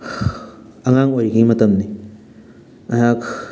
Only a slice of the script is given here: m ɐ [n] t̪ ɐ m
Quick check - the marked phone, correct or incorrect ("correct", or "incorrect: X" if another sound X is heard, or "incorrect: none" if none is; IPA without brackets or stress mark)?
incorrect: none